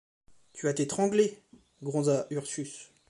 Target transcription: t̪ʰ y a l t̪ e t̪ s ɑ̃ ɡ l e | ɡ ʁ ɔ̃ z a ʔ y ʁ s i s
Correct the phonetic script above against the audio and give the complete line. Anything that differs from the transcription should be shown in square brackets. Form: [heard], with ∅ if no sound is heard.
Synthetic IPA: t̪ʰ y a [∅] t̪ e t̪ [χ] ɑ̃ ɡ l e | ɡ ʁ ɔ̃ z a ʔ y ʁ s [y] s